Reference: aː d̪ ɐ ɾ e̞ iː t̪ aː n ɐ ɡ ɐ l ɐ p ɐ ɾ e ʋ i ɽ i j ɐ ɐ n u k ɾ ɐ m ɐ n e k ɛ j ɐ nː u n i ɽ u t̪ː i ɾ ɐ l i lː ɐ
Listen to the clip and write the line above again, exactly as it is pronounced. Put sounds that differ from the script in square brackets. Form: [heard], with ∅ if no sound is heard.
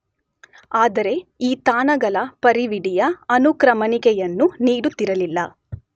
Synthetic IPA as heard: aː d̪ ɐ ɾ e̞ iː t̪ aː n ɐ ɡ ɐ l ɐ p ɐ ɾ [i] ʋ i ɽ i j ɐ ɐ n u k ɾ ɐ m ɐ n [i] k ɛ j ɐ nː u n [iː] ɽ u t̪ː i ɾ ɐ l i lː ɐ